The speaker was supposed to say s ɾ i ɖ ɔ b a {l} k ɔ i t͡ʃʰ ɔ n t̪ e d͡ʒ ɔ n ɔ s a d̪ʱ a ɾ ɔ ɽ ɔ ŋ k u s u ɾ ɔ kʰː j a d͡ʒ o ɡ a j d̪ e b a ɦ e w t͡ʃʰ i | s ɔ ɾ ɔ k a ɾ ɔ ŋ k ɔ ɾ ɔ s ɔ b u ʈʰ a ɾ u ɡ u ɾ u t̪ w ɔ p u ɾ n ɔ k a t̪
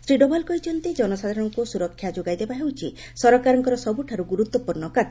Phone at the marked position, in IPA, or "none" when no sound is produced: l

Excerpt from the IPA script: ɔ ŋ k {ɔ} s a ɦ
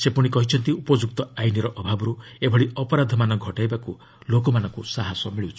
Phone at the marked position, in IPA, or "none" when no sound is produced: u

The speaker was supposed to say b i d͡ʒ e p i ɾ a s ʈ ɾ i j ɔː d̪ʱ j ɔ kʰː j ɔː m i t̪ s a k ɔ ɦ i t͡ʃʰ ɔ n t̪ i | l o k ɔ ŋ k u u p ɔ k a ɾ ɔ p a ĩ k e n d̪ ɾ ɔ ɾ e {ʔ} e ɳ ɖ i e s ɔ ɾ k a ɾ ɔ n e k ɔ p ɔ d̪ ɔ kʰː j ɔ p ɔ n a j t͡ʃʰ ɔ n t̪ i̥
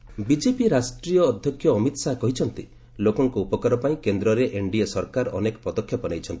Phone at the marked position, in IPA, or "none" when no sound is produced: ʔ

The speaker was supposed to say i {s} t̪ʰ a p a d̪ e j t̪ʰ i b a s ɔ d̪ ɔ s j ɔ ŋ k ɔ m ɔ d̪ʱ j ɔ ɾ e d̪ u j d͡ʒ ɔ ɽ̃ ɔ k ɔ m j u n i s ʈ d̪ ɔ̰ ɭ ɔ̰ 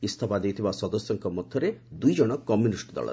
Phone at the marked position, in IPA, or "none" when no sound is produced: s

